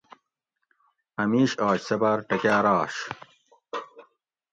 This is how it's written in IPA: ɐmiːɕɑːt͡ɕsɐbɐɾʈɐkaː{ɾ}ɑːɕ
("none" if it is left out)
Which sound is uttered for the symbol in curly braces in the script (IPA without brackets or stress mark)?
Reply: ɾ